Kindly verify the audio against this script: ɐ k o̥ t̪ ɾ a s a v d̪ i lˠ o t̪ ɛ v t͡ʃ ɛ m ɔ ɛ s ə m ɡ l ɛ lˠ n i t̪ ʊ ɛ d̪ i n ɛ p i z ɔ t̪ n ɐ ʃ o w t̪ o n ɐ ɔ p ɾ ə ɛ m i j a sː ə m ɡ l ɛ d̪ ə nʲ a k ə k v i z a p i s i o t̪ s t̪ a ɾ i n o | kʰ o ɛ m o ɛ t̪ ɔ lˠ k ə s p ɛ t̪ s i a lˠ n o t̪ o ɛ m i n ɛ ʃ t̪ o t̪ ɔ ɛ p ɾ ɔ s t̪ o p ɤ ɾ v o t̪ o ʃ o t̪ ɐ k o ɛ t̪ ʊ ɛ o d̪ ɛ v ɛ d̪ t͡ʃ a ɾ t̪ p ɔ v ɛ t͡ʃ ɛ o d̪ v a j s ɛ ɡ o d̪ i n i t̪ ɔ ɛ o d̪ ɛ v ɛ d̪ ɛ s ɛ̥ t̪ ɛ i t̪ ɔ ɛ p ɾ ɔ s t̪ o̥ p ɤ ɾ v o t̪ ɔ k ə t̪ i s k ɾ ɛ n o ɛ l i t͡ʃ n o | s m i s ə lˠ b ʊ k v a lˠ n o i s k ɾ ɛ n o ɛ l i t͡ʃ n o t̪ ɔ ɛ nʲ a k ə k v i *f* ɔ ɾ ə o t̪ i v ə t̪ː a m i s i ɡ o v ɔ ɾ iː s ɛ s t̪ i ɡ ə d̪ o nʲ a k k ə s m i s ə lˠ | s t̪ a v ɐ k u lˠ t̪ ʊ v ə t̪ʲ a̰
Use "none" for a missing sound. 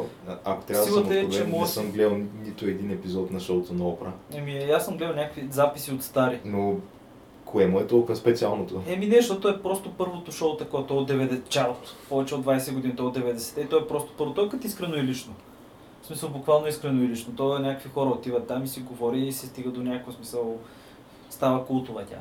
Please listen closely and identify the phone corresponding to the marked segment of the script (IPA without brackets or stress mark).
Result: x